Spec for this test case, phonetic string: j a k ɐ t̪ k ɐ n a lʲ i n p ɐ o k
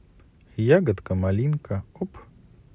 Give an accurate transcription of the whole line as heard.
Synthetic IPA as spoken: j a ɡ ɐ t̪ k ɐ m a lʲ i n k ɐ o p